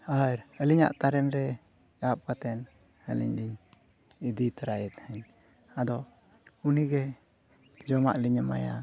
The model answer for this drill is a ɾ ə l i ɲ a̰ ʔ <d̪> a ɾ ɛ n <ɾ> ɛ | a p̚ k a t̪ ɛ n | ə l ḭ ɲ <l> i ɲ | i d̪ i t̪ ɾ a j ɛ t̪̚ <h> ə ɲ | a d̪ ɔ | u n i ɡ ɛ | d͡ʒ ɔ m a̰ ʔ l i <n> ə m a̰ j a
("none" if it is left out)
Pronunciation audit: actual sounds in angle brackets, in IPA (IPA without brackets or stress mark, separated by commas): t̪, ɾ, l, h, ɲ